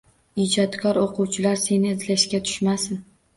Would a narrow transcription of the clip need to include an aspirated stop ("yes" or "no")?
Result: yes